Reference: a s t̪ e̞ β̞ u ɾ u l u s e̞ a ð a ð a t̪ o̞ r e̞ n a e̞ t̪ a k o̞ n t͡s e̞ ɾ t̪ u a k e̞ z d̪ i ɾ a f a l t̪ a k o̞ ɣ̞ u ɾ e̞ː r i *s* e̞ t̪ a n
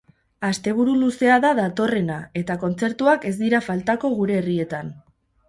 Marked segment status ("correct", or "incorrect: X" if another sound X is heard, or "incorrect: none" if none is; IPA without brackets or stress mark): incorrect: none